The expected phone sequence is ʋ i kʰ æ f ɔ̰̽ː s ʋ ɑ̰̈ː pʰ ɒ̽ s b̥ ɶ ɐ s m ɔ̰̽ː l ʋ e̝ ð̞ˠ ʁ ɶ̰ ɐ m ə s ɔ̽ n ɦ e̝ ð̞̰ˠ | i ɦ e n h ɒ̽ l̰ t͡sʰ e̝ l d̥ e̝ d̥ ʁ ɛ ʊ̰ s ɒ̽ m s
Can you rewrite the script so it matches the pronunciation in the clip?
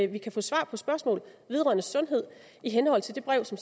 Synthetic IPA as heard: ʋ i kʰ æ f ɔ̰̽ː s ʋ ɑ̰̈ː pʰ ɒ̽ s b̥ ɶ ɐ s m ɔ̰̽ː l ʋ e̝ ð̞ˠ ʁ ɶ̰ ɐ n ə s ɔ̽ n ɦ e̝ ð̞̰ˠ | i ɦ e n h ɒ̽ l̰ t͡sʰ e̝ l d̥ e̝ b̥ ʁ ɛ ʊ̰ s ɒ̽ m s